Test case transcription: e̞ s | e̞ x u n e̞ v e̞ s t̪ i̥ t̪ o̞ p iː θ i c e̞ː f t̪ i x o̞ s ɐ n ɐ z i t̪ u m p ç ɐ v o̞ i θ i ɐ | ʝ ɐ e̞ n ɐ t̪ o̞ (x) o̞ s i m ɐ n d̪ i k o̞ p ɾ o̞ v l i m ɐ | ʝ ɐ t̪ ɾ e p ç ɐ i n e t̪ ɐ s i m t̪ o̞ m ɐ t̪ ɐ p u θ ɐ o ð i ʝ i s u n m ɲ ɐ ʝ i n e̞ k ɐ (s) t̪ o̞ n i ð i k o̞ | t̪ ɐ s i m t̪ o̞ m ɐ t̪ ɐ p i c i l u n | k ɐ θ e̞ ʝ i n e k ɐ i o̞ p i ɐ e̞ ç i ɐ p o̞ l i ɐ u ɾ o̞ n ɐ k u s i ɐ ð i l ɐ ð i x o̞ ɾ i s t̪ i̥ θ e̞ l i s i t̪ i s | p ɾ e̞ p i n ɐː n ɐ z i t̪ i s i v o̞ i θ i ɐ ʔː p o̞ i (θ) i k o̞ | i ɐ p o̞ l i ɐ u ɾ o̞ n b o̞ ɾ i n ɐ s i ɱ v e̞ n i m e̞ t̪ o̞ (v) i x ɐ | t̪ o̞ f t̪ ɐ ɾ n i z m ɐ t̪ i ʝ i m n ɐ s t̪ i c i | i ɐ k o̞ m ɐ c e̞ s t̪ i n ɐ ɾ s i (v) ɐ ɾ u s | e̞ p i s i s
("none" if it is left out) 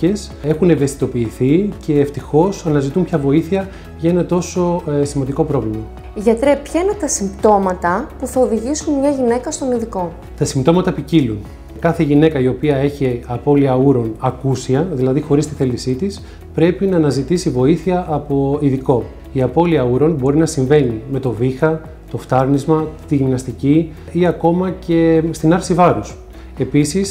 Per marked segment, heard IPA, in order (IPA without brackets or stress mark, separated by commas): s, s, ð, v, v